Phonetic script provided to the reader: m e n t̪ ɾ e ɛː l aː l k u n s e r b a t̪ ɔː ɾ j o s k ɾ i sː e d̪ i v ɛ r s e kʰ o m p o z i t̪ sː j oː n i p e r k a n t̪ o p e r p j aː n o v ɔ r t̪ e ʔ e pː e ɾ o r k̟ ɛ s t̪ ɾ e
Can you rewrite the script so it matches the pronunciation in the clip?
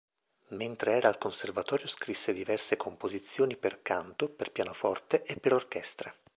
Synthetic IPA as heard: m e n t̪ ɾ e ɛː ɾ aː l k o n s e r v a t̪ ɔː ɾ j o s k ɾ i sː e d̪ i v ɛ r s e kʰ o m p o z i t̪ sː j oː n i p e r k a n t̪ o p e r p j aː n o f ɔ r t̪ e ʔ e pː e ɾ o r k̟ ɛ s t̪ ɾ e